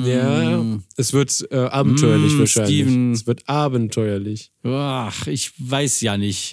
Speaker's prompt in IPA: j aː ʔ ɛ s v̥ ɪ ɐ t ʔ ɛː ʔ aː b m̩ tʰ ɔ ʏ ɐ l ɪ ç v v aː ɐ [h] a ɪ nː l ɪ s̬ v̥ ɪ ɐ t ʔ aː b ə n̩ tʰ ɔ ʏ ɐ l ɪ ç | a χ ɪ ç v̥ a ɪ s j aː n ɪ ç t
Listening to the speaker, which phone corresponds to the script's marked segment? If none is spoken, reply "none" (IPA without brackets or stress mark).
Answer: ʃ